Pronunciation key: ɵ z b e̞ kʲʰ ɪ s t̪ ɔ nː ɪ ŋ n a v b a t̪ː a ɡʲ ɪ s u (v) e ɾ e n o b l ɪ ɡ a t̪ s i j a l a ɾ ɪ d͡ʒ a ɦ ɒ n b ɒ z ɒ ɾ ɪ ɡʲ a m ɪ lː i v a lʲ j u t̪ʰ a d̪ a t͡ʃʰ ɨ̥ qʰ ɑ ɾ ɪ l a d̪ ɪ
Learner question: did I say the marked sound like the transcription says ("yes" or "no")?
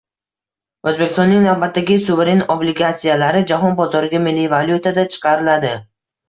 yes